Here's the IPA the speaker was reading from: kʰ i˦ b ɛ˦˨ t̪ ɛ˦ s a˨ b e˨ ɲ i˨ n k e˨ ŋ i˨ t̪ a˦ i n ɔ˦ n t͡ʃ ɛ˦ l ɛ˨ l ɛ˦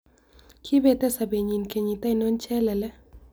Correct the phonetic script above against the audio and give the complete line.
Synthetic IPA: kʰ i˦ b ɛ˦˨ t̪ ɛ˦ s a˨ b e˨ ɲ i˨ n k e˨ ɲ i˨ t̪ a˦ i n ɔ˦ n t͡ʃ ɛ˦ l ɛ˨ l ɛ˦